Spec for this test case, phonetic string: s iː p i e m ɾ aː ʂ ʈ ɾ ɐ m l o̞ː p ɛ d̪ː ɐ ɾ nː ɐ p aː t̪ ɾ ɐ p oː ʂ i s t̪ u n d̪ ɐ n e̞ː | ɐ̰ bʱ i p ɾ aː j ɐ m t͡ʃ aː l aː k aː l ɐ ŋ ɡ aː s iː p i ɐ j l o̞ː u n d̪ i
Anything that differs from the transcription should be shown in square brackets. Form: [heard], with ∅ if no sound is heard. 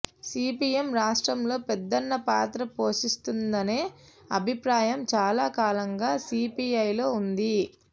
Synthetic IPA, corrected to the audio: s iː p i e m ɾ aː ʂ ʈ ɾ ɐ m l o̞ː p ɛ d̪ː ɐ [∅] nː ɐ p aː t̪ ɾ ɐ p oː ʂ i s t̪ u n d̪ ɐ n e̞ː | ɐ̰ bʱ i p ɾ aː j ɐ m t͡ʃ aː l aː k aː l ɐ ŋ ɡ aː s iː p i ɐ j l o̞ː u n d̪ i